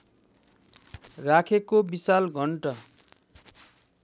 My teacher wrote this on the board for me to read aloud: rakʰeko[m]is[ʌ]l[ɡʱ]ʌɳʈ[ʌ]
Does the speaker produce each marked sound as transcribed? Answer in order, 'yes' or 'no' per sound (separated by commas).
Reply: no, no, yes, yes